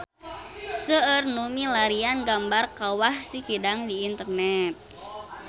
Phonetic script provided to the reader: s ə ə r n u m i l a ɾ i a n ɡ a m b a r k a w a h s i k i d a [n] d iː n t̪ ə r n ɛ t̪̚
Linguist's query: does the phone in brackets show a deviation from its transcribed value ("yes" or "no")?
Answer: yes